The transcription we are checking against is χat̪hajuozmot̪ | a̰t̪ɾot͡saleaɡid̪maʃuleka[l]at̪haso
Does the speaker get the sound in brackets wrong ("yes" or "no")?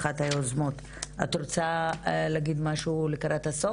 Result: yes